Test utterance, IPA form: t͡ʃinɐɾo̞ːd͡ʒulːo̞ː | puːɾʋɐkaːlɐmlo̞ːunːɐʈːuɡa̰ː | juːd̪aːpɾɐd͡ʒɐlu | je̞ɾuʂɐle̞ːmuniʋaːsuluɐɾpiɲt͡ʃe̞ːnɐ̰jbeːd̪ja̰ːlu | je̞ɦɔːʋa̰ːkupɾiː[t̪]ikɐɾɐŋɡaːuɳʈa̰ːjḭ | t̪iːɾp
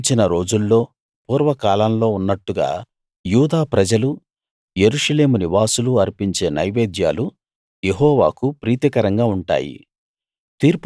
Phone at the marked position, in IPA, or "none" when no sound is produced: t̪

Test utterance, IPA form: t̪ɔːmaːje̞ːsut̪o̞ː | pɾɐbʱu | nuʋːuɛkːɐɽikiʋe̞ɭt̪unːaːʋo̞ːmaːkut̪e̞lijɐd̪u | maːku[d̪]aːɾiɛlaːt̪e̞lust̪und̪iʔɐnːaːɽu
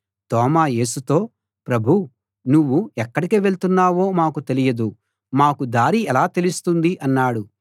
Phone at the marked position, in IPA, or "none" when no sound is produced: d̪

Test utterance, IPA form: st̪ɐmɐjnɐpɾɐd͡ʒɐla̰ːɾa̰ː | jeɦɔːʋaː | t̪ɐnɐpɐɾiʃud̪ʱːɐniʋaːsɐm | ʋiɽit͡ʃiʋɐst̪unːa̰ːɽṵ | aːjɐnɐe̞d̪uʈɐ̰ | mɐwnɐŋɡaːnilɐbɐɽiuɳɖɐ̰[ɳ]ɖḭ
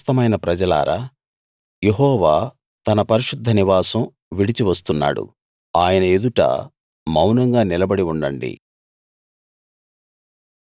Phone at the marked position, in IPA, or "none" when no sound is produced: ɳ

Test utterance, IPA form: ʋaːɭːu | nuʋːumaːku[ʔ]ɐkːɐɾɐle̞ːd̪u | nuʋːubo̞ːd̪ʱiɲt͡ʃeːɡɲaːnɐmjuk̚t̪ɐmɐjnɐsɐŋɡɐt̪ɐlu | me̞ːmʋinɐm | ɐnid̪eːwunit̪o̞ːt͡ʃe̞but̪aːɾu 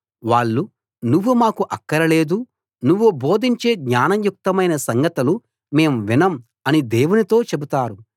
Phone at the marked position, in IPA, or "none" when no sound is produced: ʔ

